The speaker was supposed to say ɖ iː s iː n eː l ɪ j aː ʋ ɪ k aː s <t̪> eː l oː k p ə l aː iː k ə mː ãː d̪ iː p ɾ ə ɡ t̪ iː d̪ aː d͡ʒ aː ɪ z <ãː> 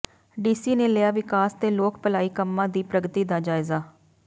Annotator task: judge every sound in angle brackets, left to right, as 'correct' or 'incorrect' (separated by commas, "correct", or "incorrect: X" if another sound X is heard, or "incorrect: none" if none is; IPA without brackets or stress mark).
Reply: correct, incorrect: aː